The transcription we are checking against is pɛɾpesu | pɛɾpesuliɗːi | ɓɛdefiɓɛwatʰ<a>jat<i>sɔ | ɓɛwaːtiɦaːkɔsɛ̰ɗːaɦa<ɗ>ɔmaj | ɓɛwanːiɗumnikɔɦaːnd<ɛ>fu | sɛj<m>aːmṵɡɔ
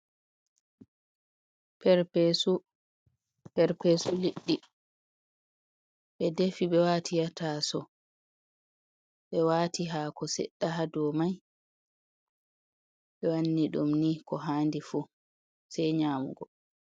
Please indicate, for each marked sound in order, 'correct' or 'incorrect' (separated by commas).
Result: incorrect, incorrect, incorrect, incorrect, incorrect